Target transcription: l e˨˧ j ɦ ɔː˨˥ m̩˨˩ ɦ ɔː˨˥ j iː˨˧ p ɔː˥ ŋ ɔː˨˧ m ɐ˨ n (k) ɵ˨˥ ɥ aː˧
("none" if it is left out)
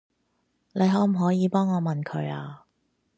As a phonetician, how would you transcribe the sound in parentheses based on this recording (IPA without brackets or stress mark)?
kʰ